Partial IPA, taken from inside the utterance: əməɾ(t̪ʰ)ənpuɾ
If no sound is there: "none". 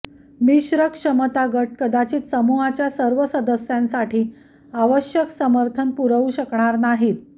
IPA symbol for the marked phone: t̪ʰ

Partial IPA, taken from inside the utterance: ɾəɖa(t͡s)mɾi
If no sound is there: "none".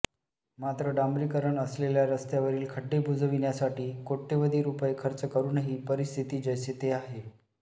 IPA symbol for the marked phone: none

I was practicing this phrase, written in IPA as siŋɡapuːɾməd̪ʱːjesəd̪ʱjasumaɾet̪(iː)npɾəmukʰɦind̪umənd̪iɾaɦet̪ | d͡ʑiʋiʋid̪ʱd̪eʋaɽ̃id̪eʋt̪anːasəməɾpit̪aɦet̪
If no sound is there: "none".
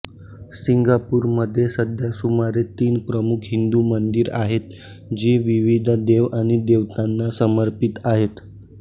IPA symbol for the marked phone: iː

